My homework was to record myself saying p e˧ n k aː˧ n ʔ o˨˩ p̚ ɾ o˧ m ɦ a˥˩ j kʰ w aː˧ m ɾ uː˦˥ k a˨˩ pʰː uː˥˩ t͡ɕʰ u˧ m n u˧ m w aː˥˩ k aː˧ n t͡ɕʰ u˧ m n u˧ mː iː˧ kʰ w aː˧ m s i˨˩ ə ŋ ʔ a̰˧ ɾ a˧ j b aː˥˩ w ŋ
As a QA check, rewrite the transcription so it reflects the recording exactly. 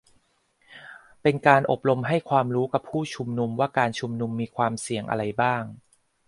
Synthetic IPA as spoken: p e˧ n k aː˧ n ʔ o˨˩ p̚ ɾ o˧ m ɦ a˥˩ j kʰ w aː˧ m ɾ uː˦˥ k a˨˩ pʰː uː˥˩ t͡ɕʰ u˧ m n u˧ m w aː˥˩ k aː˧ n t͡ɕʰ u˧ m n u˧ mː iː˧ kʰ w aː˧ m s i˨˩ ə ŋ ʔ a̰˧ ɾ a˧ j b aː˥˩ ŋ